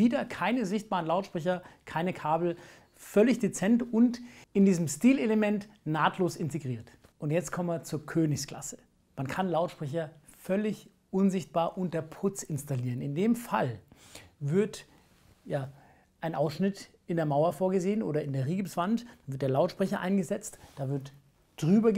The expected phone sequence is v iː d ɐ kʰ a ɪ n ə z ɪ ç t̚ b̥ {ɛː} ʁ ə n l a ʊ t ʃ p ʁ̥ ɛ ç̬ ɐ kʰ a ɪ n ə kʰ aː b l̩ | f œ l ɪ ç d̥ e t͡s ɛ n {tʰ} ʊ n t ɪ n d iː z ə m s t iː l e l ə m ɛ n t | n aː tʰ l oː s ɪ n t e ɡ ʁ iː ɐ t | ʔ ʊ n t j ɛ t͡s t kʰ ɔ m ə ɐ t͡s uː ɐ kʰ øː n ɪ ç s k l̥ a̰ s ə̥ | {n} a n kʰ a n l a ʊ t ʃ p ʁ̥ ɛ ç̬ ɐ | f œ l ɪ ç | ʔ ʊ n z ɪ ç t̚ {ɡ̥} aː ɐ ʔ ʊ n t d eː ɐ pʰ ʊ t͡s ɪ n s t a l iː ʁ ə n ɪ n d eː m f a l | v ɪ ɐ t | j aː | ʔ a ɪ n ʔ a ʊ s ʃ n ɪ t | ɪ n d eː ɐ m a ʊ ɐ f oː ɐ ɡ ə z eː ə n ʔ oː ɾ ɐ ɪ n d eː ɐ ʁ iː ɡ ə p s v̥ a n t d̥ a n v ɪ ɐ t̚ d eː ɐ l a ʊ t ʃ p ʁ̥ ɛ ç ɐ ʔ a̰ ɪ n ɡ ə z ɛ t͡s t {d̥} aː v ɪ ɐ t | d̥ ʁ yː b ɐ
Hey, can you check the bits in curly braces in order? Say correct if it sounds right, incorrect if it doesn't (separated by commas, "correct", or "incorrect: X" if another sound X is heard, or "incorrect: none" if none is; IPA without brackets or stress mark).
incorrect: aː, incorrect: t, incorrect: m, incorrect: b̥, correct